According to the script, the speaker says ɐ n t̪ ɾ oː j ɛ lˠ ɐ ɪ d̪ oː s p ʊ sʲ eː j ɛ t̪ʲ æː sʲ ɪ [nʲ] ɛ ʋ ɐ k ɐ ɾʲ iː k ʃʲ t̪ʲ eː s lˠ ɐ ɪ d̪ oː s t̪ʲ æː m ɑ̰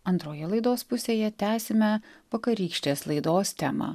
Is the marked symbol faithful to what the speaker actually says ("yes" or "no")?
no